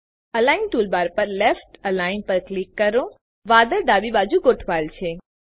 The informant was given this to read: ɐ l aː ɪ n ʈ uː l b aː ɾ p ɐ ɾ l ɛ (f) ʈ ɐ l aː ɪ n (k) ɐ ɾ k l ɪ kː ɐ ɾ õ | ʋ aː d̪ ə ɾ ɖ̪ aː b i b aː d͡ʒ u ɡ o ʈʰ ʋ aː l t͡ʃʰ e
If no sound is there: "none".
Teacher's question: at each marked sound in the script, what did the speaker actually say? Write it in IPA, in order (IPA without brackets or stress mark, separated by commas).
f, p